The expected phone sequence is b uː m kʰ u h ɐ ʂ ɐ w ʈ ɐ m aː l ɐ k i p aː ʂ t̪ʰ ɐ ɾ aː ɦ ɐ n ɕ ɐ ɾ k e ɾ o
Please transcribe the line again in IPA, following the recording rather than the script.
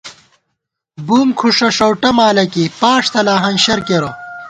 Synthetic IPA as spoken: b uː m kʰ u ʂ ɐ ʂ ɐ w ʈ ɐ m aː l ɐ k i p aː ʂ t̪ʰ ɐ l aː ɦ ɐ n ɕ ɐ ɾ k e ɾ o